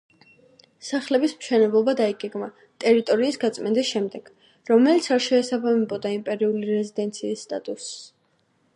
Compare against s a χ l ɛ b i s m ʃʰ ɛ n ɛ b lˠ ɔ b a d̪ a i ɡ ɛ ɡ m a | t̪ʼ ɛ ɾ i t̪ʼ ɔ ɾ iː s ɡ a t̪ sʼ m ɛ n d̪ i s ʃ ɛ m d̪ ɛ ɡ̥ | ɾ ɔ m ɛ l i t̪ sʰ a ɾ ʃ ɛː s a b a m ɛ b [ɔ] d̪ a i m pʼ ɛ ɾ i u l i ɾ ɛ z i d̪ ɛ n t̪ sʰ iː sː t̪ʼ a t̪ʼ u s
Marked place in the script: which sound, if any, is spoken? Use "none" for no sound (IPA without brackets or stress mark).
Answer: ɔ